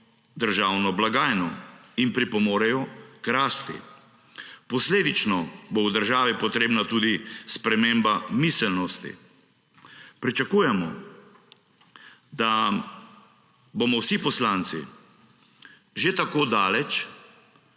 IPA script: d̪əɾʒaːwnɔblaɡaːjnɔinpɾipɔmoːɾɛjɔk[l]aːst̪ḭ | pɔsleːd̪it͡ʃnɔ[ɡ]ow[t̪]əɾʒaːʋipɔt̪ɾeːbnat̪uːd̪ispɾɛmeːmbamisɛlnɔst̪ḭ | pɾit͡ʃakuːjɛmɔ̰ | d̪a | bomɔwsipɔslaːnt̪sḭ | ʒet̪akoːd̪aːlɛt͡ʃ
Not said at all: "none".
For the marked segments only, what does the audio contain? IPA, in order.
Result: ɾ, b, d̪

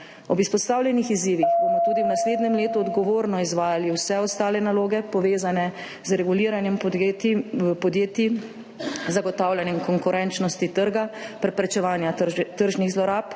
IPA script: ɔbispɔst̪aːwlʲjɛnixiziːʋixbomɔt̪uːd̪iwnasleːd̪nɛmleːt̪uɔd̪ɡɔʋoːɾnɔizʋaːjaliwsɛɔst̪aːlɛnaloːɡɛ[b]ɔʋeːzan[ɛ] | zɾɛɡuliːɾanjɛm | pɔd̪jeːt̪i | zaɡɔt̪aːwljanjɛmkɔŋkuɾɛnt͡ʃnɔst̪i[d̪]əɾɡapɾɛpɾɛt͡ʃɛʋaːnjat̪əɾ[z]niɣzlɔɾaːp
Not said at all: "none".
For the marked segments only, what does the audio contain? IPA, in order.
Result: p, ɛ, t̪, ʒ

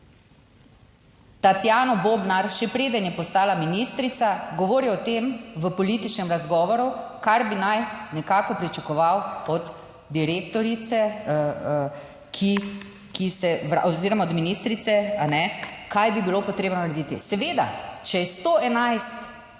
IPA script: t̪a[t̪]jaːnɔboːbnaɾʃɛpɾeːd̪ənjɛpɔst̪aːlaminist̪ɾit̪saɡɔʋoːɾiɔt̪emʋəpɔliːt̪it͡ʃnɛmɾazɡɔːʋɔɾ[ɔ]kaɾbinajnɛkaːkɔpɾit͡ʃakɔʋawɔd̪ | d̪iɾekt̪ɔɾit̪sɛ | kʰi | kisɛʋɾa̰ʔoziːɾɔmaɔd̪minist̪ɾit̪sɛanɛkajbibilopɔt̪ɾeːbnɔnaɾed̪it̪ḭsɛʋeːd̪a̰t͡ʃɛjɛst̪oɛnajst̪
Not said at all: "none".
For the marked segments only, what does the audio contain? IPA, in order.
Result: t̪, u

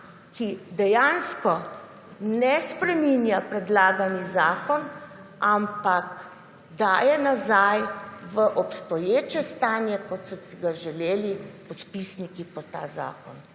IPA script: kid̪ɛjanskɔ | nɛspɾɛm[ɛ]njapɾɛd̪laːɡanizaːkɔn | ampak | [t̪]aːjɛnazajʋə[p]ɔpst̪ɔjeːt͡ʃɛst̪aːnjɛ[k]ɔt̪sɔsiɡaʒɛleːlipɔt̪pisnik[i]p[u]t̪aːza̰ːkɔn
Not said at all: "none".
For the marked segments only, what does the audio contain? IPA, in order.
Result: i, d̪, ʔ, k, i, ɔ

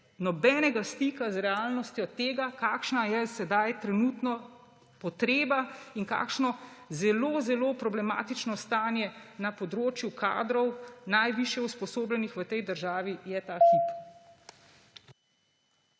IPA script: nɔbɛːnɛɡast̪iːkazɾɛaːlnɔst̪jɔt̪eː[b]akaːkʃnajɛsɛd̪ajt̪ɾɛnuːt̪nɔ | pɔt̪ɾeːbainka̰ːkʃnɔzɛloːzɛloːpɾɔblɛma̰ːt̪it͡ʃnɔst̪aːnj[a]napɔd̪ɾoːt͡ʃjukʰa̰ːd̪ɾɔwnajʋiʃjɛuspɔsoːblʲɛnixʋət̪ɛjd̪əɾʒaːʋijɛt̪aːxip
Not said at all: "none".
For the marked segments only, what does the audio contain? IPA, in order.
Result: ɡ, ɛ

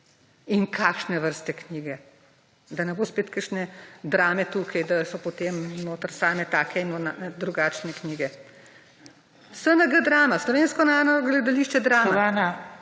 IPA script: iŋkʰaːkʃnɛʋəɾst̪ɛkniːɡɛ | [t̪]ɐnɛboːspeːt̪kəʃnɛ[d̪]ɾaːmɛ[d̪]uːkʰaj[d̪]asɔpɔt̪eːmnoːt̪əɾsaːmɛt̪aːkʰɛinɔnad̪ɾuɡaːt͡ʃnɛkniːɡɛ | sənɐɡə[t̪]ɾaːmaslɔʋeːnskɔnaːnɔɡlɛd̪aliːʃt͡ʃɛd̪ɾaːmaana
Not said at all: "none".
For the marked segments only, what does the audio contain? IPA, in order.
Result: d̪, d̪, t̪, d̪, d̪

